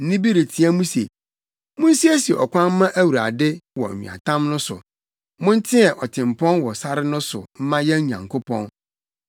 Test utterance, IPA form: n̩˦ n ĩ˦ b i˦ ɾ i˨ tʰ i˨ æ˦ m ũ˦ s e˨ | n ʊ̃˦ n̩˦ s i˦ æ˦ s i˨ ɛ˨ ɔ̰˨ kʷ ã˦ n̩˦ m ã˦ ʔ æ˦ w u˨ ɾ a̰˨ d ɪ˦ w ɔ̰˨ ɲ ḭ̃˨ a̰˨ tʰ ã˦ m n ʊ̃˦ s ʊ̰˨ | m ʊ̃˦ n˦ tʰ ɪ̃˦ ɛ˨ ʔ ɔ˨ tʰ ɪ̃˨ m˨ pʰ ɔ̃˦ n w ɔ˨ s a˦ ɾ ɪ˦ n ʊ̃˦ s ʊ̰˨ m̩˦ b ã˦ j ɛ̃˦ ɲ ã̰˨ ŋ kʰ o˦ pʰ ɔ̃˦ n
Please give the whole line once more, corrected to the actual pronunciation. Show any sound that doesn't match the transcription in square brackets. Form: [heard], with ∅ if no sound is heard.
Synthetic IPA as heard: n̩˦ n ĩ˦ b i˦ ɾ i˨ tʰ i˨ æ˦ m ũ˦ s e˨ | [m] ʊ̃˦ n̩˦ s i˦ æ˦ s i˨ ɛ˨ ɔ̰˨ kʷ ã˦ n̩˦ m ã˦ ʔ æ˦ w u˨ ɾ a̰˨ d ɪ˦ w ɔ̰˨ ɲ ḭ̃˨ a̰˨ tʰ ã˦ m n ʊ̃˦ s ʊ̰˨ | m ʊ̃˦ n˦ tʰ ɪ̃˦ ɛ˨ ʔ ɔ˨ tʰ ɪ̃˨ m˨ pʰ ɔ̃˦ n w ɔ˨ s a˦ ɾ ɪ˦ n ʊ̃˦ s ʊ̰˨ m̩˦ [m] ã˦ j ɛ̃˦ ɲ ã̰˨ ŋ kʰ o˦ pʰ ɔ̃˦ n